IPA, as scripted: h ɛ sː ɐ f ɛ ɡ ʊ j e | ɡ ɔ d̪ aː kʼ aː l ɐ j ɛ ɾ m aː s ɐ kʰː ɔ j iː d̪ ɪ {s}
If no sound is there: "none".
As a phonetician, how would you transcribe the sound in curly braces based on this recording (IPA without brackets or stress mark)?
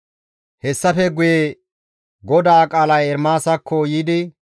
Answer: none